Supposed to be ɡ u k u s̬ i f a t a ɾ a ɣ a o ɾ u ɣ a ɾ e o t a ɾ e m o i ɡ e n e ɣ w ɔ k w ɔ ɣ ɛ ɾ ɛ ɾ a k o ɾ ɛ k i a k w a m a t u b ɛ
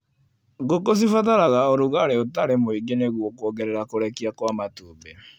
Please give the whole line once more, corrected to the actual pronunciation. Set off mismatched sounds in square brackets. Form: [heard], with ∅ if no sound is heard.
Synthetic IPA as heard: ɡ [o] k [o] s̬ i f a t a ɾ a ɣ a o ɾ u ɣ a ɾ e o t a ɾ e m o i ɡ e n e ɣ w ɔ k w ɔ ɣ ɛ ɾ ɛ ɾ a k o ɾ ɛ k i a k w a m a t u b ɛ